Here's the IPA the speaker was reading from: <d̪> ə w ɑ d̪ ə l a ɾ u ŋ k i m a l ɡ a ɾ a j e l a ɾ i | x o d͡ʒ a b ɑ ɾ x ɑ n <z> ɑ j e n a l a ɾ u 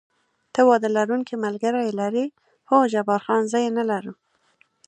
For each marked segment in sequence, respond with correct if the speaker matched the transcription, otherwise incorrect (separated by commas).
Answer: incorrect, correct